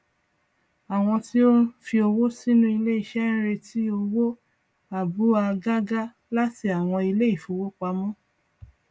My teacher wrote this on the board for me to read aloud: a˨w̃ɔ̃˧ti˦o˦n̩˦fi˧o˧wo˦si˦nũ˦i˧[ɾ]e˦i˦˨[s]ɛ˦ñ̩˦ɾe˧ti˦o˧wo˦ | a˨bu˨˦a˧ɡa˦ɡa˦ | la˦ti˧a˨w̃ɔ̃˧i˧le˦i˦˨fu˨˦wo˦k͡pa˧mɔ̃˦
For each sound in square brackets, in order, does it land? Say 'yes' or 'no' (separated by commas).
no, no